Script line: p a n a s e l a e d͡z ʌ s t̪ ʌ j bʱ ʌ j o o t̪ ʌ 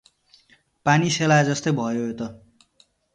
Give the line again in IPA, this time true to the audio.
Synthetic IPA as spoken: p a n i s e l a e d͡z ʌ s t̪ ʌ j bʱ ʌ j o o t̪ ʌ